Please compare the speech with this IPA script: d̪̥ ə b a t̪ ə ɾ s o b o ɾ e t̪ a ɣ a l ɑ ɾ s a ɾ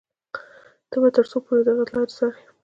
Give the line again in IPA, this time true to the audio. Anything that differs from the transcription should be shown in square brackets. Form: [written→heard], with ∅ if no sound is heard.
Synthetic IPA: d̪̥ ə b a t̪ ə ɾ s o [b→p] o ɾ e [t̪→d̪] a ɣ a l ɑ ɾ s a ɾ